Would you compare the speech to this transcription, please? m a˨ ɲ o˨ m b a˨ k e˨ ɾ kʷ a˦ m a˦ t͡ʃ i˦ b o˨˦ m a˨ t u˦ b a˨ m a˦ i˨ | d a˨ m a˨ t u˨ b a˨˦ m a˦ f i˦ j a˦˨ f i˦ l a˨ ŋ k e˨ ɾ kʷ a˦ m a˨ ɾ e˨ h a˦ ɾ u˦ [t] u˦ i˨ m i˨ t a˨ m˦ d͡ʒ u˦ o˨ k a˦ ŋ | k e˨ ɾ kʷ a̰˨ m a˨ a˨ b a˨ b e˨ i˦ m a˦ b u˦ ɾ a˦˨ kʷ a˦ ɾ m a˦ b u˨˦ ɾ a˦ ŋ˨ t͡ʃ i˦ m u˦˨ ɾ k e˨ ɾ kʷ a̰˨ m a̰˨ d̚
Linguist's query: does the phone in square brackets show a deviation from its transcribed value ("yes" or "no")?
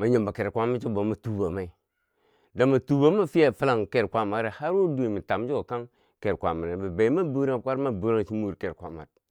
yes